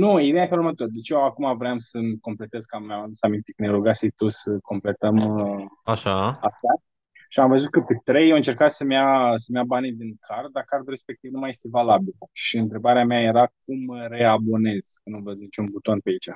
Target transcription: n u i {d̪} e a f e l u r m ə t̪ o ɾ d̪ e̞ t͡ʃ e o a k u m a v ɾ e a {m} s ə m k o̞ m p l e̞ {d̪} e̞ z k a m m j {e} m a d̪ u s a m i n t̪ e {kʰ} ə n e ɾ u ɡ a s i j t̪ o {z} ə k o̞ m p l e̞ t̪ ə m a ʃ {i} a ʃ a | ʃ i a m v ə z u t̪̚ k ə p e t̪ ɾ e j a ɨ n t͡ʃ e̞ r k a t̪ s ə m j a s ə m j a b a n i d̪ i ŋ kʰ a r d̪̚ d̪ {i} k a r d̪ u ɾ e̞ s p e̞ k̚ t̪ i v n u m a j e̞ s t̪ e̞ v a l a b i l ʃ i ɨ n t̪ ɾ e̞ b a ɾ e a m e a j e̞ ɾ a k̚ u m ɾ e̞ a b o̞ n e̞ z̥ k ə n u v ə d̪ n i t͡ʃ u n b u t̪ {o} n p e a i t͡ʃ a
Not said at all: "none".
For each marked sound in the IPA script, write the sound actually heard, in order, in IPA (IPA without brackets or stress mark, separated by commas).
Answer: d̪, m, t̪, a, k, s, a, a, o